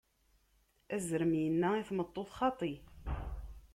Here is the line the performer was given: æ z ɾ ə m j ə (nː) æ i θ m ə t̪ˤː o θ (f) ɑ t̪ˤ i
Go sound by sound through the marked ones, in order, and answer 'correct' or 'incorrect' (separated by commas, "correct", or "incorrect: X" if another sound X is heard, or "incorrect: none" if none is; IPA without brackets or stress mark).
correct, incorrect: χ